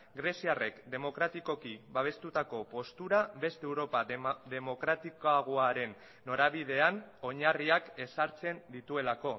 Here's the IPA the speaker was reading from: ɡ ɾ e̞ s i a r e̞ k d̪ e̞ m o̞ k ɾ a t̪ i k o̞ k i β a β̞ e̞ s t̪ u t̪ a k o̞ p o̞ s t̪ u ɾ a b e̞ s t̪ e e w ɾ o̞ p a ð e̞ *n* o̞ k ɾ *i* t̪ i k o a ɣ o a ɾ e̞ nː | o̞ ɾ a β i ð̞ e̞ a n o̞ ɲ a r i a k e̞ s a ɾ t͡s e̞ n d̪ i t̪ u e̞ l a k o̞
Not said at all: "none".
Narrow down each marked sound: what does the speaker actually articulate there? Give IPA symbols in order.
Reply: m, a

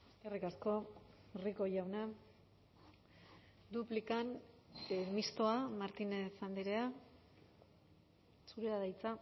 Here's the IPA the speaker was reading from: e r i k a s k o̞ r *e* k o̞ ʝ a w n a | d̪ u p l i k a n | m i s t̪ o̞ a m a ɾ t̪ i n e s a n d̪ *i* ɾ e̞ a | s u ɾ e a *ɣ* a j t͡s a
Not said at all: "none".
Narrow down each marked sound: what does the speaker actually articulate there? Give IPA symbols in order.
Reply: i, i, ð

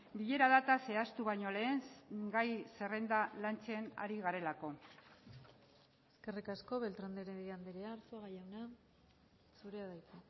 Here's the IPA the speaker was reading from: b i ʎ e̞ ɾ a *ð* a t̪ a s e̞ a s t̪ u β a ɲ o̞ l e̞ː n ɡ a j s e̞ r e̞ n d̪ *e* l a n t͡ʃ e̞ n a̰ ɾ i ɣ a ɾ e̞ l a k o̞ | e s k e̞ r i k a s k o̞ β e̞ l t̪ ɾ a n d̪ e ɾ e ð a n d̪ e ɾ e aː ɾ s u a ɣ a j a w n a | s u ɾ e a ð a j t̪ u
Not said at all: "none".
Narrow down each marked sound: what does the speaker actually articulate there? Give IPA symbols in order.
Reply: ð, a

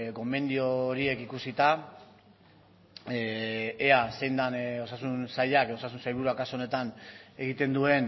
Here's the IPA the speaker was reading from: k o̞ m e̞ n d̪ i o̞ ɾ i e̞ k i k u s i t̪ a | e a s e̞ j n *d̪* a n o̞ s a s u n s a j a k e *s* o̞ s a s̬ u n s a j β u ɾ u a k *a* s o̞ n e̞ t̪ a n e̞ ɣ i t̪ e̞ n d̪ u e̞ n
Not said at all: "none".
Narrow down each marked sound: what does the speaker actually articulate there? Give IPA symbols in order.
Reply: d̪, none, a

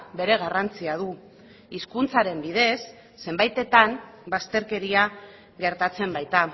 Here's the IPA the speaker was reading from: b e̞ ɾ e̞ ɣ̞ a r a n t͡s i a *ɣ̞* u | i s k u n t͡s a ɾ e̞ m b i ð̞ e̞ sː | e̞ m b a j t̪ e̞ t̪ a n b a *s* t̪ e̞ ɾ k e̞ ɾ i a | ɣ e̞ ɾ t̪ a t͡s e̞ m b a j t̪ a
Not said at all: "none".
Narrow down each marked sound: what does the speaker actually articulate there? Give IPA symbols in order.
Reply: ð̞, s

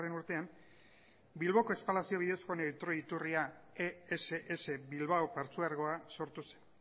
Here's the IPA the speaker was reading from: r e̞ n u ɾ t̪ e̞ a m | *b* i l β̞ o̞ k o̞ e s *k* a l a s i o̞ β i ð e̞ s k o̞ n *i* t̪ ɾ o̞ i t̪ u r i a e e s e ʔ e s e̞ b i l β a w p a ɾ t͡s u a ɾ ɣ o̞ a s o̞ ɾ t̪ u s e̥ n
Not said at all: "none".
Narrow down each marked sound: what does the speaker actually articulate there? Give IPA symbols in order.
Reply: b, p, e

